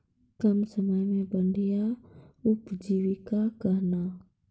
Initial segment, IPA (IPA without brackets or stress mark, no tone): k